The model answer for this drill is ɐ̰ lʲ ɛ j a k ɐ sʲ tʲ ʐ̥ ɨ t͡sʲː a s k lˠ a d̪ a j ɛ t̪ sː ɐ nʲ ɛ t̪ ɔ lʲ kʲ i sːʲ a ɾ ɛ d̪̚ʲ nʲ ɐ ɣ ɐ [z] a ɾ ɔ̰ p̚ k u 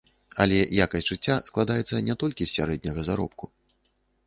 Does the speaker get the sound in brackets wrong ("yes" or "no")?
no